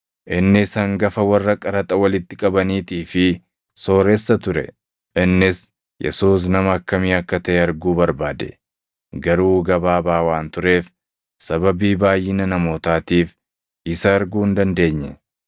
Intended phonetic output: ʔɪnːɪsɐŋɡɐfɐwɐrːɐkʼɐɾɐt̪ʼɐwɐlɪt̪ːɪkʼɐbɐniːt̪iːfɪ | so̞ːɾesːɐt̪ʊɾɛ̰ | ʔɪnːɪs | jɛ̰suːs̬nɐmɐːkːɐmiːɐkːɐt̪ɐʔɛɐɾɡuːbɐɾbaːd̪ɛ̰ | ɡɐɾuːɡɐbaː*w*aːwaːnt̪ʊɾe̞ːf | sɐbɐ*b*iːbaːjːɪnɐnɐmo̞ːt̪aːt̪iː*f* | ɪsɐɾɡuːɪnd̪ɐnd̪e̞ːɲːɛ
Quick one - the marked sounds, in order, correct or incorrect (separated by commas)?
incorrect, correct, correct